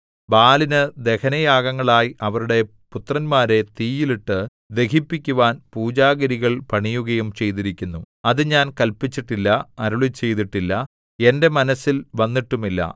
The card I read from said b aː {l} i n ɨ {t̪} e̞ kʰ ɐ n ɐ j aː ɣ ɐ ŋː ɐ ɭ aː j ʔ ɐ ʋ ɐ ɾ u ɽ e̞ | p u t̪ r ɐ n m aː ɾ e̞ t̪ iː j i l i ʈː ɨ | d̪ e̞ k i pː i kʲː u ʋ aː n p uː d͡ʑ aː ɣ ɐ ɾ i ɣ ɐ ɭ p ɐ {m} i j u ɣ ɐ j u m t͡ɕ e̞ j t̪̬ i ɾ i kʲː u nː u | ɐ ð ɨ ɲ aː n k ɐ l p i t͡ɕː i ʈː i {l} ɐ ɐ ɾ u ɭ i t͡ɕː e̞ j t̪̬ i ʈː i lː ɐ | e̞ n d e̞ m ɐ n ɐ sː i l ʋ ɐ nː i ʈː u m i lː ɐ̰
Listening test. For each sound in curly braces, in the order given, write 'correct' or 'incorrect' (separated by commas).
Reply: correct, incorrect, incorrect, incorrect